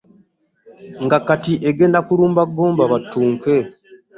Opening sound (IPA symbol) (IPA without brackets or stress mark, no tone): ŋ